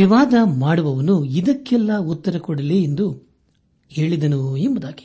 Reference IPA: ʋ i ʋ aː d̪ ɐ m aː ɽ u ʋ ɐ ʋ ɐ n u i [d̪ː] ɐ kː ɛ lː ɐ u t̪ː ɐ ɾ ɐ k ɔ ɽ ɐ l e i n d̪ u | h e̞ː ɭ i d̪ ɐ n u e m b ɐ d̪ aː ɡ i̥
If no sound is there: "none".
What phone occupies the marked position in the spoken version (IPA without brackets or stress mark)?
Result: d̪